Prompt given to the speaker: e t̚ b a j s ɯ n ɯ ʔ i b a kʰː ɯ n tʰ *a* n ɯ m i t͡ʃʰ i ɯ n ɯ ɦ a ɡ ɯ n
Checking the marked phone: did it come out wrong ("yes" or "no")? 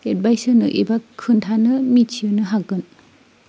no